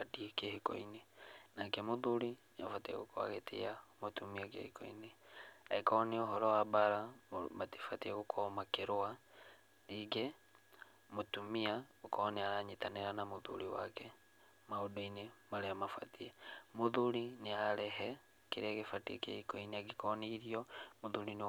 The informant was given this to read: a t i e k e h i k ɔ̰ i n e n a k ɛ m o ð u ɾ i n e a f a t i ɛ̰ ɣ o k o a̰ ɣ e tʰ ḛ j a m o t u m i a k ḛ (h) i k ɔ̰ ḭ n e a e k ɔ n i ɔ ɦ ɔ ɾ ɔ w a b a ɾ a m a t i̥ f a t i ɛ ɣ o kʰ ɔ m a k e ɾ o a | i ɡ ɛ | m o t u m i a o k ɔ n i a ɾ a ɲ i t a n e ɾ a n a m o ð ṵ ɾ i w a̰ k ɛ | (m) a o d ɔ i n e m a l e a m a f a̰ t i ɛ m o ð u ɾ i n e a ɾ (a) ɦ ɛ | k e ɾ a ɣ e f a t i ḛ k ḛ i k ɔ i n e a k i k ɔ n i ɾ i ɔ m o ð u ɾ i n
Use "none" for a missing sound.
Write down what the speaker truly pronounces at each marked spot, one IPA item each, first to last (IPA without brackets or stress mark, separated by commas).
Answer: h, m, ɛ